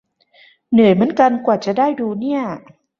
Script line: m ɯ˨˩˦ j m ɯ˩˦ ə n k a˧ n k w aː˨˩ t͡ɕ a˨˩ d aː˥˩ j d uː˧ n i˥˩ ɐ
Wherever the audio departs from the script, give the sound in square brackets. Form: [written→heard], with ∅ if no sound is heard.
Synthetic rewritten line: [m→n] ɯ˨˩˦ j m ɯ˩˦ ə n k a˧ n k w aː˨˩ t͡ɕ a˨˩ d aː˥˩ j d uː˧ n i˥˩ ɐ